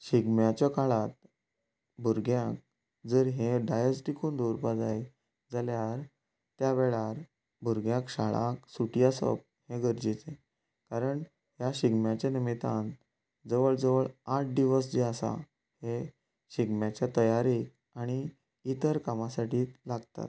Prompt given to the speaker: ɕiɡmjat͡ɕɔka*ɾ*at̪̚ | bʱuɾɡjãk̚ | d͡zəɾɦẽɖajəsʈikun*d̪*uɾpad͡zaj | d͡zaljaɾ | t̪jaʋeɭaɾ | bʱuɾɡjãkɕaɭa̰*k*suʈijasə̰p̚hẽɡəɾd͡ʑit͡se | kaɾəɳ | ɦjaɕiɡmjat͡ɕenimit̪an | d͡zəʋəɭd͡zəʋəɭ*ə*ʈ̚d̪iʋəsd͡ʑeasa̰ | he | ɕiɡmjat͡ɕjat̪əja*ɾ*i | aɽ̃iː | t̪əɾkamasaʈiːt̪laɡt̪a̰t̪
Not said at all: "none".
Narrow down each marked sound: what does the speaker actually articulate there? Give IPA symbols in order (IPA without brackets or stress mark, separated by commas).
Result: ɭ, d̪, k, a, ɾ